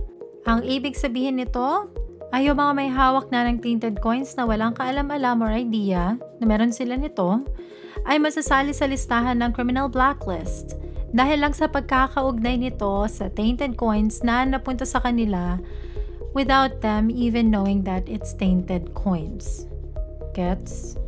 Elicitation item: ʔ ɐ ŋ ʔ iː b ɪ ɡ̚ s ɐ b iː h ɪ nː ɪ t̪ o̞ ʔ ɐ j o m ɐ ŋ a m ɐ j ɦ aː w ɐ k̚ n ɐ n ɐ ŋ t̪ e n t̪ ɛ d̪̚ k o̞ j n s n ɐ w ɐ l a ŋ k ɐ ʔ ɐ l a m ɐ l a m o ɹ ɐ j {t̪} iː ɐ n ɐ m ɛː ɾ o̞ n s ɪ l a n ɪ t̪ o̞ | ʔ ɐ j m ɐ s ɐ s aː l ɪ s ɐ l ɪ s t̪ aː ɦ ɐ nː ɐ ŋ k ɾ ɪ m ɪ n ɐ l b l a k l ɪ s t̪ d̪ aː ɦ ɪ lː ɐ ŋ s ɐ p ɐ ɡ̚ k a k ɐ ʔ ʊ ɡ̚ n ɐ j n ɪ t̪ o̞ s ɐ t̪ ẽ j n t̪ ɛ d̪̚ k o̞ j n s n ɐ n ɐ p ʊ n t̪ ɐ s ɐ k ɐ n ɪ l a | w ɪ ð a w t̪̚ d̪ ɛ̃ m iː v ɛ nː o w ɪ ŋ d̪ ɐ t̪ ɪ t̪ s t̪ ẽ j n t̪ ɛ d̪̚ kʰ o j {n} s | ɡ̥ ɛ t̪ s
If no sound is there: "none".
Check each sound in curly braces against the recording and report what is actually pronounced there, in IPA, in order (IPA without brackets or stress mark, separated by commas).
d̪, n